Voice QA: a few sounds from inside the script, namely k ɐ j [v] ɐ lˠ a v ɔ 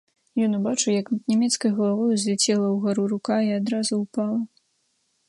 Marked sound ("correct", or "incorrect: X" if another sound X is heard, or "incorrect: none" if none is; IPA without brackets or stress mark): incorrect: ɣ